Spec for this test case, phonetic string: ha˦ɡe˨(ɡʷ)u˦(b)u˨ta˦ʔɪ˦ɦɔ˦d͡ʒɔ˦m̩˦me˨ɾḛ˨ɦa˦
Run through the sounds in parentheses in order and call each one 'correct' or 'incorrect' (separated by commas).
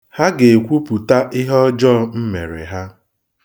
incorrect, incorrect